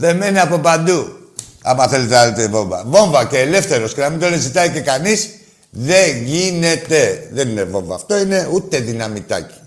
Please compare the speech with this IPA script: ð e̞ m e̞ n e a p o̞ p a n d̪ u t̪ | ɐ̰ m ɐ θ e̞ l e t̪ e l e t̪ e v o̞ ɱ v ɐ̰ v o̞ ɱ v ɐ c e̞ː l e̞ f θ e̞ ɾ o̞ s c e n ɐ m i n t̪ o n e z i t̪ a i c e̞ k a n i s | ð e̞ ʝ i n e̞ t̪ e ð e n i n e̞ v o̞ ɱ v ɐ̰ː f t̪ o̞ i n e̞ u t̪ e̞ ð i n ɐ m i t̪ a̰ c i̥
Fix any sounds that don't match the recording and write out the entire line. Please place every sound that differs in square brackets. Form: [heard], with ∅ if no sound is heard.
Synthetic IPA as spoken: ð e̞ m e̞ n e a p o̞ p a n d̪ u [∅] | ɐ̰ m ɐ θ e̞ l e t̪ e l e t̪ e v o̞ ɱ v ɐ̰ v o̞ ɱ v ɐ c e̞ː l e̞ f θ e̞ ɾ o̞ s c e n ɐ m i n [d̪] o n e z i t̪ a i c e̞ k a n i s | ð e̞ ʝ i n e̞ t̪ e ð e n i n e̞ v o̞ ɱ v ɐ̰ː f t̪ o̞ i n e̞ u t̪ e̞ ð i n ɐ m i t̪ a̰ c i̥